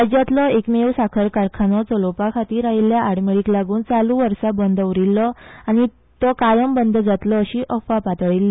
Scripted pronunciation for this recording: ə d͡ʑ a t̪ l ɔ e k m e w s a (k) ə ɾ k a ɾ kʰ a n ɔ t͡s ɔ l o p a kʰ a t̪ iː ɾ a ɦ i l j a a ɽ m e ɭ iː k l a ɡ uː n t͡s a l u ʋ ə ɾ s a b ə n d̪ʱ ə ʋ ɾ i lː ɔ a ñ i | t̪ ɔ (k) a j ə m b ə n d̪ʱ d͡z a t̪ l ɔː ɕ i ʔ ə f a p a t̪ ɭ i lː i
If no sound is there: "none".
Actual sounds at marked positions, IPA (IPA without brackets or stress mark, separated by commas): kʰ, k